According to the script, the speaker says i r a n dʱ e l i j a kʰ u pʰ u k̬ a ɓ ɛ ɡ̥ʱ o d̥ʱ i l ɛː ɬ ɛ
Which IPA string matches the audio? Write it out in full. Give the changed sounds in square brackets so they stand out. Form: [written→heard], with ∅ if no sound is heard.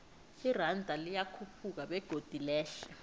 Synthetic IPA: i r a n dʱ [e→a] l i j a kʰ u pʰ u k̬ a ɓ ɛ ɡ̥ʱ o d̥ʱ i l ɛː ɬ ɛ